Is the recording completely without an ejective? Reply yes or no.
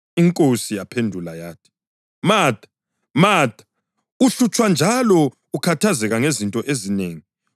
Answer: no